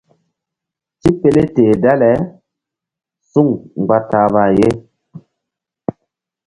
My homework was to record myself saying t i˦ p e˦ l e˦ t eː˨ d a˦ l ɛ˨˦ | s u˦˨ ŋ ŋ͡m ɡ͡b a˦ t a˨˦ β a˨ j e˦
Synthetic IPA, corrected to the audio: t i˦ p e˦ l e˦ t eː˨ d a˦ l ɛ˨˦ | s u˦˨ ŋ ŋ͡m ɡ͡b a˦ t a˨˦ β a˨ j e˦